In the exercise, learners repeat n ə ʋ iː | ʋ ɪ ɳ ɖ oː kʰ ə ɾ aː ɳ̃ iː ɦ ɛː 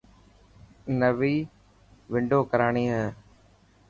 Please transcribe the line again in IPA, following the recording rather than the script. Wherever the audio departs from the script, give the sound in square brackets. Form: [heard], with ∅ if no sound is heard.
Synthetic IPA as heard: n ə ʋ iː | ʋ ɪ ɳ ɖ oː [k] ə ɾ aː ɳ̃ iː ɦ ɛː

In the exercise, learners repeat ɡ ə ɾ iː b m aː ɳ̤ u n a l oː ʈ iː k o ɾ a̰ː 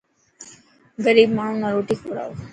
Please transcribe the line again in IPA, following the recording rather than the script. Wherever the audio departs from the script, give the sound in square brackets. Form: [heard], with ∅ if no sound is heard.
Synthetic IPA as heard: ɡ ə ɾ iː b m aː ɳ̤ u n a [ɾ] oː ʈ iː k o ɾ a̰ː

